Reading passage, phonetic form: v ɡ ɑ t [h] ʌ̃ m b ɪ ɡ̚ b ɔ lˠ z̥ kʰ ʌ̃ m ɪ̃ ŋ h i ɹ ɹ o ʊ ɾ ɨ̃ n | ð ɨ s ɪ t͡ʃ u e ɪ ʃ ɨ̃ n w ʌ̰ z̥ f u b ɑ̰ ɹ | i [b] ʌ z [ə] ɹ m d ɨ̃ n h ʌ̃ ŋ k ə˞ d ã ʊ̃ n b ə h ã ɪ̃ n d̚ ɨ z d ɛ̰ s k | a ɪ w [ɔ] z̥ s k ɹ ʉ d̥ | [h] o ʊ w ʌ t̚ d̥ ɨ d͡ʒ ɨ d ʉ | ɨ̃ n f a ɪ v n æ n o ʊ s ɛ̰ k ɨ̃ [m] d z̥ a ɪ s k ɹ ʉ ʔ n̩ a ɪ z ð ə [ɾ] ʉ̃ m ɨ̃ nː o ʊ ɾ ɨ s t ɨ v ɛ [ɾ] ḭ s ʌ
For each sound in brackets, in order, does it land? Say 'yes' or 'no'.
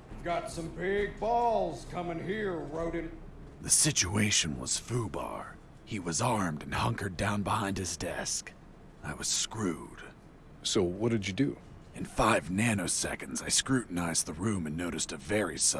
no, no, no, no, no, no, no, no

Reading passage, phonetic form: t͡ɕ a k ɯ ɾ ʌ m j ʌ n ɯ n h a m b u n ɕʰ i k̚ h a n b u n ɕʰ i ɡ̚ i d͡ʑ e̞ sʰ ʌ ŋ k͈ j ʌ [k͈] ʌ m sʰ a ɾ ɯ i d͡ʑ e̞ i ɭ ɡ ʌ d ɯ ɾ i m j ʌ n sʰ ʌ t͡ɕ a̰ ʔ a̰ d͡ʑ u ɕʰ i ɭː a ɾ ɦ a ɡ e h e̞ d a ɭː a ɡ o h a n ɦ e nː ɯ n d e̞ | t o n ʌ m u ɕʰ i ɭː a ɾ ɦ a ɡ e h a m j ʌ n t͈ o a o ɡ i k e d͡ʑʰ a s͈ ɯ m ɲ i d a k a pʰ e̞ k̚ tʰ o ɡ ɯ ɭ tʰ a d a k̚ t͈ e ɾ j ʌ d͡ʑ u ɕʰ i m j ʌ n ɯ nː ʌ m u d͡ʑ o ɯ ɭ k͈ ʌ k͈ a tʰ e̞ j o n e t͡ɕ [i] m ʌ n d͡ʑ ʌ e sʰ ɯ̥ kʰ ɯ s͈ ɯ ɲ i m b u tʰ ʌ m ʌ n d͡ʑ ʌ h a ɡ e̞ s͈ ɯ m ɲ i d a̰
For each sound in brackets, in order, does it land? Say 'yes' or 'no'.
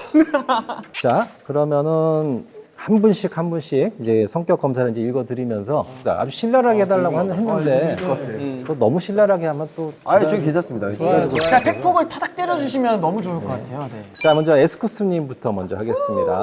yes, no

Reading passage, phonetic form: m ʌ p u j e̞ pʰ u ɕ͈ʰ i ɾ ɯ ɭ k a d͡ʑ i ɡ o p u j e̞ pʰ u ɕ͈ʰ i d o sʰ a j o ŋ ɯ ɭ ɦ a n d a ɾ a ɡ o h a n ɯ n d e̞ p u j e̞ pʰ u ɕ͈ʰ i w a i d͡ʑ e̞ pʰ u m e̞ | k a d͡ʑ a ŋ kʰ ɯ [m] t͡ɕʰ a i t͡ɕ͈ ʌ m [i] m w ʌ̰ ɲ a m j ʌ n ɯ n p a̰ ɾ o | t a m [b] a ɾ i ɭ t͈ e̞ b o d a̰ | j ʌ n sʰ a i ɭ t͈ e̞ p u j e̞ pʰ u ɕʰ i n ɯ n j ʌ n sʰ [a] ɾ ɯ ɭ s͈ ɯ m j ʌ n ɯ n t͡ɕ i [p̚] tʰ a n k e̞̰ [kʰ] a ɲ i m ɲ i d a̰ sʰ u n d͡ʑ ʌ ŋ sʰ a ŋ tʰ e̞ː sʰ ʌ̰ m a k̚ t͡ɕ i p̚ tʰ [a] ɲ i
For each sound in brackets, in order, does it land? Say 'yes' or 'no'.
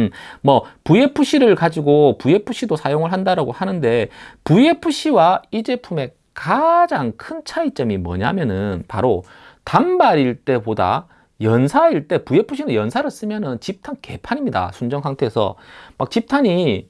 no, yes, yes, yes, yes, no, yes

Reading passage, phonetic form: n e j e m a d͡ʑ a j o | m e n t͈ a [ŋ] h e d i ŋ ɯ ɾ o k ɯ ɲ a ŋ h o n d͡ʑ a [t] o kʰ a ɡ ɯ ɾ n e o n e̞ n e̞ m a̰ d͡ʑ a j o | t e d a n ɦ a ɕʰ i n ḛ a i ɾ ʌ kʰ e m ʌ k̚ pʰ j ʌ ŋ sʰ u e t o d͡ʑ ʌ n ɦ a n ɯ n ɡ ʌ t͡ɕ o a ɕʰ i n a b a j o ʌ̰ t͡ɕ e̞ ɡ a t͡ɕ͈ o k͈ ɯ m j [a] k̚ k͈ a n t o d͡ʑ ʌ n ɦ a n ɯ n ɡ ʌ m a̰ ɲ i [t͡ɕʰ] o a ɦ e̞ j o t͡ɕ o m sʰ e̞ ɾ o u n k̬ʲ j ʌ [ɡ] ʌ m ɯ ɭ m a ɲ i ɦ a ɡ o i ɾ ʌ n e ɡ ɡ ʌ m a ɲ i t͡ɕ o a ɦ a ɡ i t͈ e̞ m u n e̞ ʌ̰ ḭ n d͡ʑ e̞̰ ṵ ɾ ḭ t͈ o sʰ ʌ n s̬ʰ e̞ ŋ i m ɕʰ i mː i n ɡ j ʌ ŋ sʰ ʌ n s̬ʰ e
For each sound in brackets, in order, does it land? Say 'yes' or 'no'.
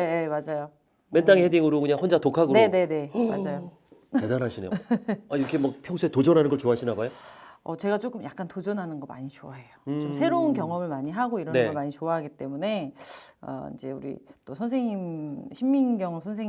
yes, yes, yes, no, no

